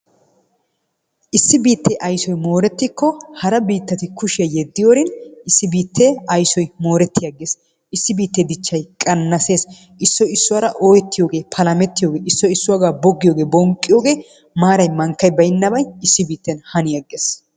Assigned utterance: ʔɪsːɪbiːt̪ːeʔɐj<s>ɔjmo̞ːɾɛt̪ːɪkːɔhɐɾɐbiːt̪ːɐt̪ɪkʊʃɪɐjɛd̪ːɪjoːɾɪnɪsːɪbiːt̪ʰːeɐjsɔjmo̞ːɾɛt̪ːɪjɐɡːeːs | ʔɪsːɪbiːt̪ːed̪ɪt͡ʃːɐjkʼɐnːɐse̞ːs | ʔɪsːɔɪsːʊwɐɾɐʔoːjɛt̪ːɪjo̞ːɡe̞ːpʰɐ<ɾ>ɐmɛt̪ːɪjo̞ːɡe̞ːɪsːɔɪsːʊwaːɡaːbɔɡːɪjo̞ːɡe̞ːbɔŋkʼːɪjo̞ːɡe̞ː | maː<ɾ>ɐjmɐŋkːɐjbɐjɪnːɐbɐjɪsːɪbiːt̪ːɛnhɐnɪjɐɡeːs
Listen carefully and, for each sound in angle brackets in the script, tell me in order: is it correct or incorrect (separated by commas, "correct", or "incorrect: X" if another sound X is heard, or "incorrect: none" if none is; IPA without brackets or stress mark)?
correct, incorrect: l, correct